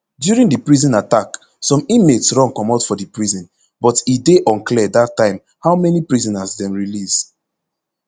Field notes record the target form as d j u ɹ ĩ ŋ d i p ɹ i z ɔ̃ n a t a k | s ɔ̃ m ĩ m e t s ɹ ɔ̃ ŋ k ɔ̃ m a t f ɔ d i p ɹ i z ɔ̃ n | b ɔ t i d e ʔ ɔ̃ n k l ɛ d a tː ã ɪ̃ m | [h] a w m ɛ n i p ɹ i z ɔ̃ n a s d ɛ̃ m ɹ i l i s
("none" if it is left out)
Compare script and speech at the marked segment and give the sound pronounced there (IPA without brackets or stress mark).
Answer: h